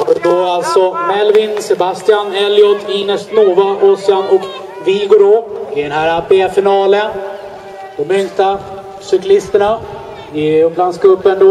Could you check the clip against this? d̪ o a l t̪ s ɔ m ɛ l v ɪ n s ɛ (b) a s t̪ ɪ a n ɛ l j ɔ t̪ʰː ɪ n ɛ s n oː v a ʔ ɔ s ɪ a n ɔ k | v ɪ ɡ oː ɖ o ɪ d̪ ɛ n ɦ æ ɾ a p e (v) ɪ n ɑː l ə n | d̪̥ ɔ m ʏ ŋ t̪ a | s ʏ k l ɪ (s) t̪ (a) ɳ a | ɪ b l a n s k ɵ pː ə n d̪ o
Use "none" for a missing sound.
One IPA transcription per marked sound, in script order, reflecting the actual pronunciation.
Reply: b, f, s, ə

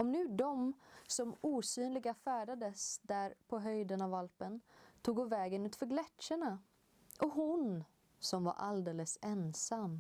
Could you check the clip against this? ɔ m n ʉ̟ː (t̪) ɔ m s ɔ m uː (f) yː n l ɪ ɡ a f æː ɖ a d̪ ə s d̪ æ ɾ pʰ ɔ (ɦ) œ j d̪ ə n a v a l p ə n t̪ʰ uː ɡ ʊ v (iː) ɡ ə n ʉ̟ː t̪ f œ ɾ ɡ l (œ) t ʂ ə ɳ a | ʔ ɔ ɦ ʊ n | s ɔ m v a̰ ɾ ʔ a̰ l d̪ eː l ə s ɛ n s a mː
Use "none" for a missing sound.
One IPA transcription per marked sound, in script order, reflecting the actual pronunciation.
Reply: d̪, s, ɦ, ɛː, ɛ

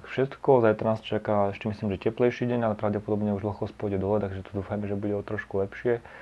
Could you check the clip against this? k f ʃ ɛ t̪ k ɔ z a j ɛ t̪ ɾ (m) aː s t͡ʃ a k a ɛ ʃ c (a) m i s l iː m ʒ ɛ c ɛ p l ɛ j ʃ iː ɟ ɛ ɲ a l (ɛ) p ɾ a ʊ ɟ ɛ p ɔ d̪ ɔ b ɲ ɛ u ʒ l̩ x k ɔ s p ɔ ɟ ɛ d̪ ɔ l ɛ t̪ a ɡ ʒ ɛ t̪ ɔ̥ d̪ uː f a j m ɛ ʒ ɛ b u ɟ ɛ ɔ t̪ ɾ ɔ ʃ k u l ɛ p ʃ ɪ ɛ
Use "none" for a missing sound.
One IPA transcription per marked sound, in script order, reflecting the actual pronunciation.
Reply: n, ɛ, ɛ

